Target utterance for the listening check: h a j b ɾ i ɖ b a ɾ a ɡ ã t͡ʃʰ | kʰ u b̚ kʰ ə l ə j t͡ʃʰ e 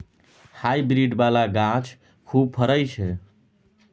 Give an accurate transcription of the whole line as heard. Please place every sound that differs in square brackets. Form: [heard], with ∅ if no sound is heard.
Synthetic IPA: h a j b ɾ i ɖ b a [l] a ɡ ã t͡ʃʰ | kʰ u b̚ [pʰ] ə [ɾ] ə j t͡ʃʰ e